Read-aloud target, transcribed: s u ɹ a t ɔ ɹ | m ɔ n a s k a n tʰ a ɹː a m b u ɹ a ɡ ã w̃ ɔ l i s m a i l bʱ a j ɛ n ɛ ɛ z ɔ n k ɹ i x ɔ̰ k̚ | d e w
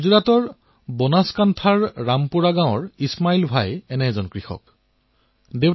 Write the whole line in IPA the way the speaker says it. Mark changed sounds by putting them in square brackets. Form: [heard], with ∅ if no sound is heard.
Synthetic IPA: [z] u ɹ a t ɔ ɹ | [b] ɔ n a s k a n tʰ a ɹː a m [p] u ɹ a ɡ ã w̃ ɔ [ɹ] i s m a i l bʱ a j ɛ n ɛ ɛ z ɔ n k ɹ i x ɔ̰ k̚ | d e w